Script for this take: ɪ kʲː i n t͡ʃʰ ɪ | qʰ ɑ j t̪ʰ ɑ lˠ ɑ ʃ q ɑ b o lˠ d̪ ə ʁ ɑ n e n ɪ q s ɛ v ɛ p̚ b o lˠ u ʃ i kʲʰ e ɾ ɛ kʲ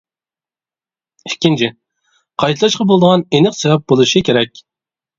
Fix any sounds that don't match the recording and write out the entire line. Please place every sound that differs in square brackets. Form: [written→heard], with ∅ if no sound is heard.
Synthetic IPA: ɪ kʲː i n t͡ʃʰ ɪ | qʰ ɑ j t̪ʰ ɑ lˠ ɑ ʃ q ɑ b o lˠ d̪ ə ʁ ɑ n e n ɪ q s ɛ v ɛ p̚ b o lˠ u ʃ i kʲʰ e ɾ ɛ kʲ